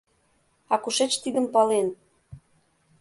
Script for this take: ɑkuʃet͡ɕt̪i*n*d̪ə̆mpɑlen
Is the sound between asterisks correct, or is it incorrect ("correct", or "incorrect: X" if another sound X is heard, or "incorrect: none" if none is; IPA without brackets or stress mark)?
incorrect: none